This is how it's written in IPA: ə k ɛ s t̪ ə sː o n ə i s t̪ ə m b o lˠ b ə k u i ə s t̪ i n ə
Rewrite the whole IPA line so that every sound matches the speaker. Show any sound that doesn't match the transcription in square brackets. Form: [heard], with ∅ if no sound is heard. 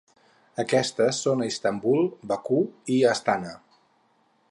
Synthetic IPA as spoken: ə k ɛ s t̪ ə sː o n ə i s t̪ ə m b [u] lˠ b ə k u i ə s t̪ [a] n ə